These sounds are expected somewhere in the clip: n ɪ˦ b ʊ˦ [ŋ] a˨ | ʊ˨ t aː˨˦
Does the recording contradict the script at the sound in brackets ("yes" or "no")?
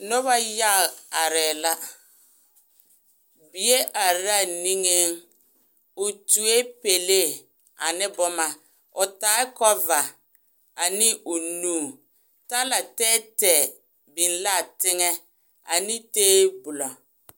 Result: yes